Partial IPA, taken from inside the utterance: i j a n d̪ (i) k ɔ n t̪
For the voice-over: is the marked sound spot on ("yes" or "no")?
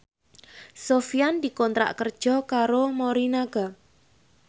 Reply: yes